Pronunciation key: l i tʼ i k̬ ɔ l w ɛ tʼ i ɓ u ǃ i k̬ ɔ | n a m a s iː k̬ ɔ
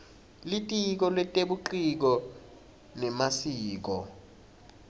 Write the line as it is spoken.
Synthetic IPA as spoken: l i tʼ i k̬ ɔ l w ɛ tʼ e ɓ u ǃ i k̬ ɔ | n ɛ m a s iː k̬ ɔ